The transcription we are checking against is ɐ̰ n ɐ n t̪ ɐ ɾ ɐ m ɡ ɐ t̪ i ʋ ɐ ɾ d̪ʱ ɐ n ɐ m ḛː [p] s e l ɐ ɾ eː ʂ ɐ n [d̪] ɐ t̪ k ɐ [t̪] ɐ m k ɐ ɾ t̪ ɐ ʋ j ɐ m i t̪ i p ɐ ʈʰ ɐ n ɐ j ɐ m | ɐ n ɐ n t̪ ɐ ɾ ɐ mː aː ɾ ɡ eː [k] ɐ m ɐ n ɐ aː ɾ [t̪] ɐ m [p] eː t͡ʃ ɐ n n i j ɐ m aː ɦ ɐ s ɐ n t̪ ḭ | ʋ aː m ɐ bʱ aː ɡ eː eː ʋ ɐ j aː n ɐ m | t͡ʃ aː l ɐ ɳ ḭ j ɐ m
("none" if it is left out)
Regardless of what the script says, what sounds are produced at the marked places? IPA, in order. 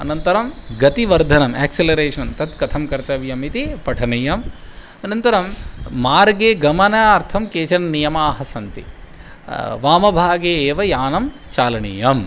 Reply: k, t̪, t̪ʰ, ɡ, t̪ʰ, k

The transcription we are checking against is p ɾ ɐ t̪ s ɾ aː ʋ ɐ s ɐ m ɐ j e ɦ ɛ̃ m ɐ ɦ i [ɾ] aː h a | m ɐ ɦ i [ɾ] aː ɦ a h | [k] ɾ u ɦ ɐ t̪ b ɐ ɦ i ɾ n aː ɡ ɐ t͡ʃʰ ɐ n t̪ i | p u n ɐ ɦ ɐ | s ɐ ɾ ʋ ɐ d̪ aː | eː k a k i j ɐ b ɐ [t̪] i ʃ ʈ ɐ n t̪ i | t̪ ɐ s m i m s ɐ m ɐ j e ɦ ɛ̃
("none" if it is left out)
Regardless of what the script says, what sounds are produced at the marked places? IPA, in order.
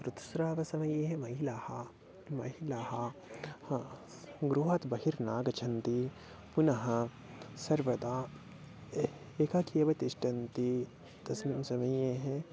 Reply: l, l, ɡ, t̪

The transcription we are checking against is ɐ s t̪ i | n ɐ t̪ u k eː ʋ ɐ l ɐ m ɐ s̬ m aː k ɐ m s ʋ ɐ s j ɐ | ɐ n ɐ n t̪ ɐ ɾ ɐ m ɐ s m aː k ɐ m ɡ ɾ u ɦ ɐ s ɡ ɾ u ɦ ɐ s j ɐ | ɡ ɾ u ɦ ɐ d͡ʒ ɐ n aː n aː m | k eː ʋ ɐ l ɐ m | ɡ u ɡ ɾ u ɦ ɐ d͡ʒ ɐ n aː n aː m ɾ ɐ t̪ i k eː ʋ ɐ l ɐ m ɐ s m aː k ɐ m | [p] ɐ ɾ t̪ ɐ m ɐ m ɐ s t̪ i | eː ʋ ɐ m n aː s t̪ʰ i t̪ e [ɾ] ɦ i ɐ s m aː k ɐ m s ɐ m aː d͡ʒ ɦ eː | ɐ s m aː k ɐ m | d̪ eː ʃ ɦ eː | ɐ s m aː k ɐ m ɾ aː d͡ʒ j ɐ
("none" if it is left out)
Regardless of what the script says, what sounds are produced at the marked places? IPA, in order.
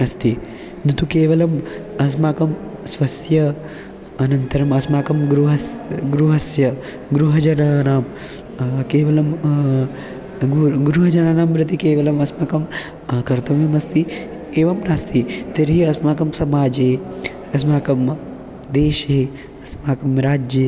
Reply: k, ɾ

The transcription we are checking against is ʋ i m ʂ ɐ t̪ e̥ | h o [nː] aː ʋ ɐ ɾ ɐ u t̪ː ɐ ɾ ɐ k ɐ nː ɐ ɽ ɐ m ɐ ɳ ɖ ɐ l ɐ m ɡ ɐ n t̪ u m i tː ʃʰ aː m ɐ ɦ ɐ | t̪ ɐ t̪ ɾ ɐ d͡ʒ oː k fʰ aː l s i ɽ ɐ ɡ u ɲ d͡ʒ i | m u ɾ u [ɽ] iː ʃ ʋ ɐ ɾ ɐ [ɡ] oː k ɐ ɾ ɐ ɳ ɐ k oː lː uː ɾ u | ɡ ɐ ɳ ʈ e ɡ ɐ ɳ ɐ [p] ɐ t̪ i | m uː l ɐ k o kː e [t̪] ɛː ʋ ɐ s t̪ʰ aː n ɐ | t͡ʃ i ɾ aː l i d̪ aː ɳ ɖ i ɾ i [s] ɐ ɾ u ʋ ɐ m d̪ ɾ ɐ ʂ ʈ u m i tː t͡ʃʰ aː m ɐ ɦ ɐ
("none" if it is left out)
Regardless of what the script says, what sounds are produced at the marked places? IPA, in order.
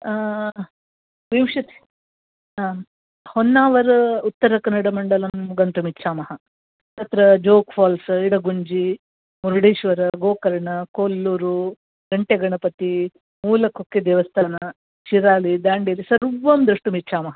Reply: nː, ɽ, ɡ, p, d̪, s

